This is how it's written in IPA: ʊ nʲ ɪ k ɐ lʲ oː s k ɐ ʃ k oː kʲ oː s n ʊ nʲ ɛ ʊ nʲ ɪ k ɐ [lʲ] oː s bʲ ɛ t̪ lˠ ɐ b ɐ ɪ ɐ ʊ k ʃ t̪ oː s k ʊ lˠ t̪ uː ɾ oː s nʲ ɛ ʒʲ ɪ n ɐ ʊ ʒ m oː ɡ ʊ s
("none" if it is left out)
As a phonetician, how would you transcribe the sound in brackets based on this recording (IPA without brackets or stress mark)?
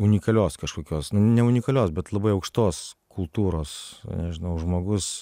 lʲ